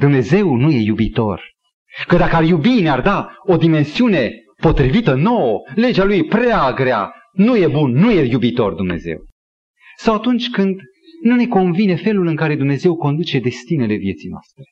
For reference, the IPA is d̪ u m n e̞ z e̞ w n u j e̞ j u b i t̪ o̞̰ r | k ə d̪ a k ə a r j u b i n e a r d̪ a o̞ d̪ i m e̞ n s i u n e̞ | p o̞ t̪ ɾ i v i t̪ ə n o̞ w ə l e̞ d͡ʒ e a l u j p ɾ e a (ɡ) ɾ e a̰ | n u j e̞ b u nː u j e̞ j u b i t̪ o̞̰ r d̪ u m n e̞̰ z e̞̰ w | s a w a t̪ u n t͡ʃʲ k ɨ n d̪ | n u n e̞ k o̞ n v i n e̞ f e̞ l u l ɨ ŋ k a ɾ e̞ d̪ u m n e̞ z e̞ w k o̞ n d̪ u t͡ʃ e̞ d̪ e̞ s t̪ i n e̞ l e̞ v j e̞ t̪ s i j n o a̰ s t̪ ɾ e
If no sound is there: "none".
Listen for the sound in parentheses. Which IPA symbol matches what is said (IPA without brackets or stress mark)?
ɡ